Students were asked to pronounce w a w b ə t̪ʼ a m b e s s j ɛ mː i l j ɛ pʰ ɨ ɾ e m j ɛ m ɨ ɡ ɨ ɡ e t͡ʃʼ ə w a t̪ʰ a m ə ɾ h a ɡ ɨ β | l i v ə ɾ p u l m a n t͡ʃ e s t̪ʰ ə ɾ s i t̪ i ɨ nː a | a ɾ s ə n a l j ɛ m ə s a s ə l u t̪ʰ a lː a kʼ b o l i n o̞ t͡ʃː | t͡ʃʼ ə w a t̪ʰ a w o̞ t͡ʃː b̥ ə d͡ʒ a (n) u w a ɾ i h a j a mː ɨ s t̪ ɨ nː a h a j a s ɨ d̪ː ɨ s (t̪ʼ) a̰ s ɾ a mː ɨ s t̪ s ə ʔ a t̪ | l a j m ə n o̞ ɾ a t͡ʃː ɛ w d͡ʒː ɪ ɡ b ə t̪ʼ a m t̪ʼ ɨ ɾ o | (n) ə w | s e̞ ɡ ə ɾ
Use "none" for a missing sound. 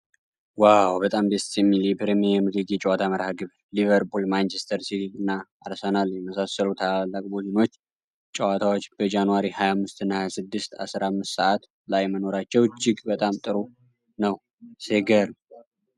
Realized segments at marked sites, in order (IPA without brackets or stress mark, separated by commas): n, t̪, n